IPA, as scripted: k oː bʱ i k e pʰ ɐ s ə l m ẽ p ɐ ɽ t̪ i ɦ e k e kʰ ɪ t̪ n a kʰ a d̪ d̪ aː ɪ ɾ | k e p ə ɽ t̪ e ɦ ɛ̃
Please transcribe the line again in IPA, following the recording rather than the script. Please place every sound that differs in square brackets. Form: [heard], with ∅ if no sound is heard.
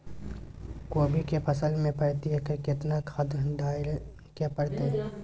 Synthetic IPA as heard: k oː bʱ i k e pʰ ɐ s ə l m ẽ p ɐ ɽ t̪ i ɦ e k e [k] ɪ t̪ n a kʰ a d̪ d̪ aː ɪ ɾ | k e p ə ɽ t̪ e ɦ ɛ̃